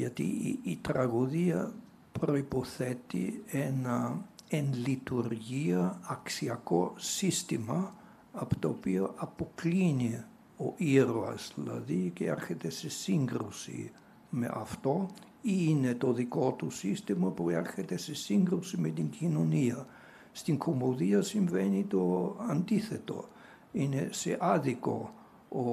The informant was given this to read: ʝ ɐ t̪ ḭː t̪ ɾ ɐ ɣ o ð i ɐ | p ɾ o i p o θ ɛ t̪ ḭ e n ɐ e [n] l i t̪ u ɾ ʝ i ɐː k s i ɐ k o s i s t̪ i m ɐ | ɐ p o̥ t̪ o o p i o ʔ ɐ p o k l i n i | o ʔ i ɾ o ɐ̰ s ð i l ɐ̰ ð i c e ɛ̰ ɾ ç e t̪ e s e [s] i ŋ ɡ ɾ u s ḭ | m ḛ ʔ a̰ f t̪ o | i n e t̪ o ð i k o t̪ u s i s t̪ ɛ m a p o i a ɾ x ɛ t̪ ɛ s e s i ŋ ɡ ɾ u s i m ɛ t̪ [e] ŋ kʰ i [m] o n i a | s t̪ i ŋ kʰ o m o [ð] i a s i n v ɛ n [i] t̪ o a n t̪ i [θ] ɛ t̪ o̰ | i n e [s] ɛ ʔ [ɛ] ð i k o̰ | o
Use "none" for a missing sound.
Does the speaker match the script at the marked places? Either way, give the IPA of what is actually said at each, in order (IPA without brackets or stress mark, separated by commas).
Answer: n, s, i, n, ð, i, θ, s, a